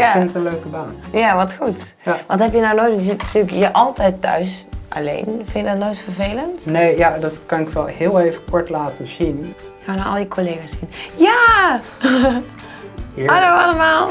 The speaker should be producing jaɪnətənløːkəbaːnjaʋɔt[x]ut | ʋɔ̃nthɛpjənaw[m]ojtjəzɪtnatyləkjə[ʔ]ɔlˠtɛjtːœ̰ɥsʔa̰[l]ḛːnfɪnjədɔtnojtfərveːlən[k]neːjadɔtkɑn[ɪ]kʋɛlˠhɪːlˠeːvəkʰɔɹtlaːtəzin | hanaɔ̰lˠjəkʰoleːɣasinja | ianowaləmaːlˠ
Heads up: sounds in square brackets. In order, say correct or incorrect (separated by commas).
correct, incorrect, correct, correct, incorrect, correct